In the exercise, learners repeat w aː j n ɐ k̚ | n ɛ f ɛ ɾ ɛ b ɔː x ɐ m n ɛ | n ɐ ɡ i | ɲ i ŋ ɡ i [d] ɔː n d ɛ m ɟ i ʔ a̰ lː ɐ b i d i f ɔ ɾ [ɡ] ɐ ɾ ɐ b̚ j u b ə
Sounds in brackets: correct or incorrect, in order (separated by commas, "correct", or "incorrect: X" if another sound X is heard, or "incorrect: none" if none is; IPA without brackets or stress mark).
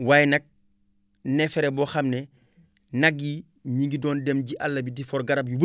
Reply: correct, correct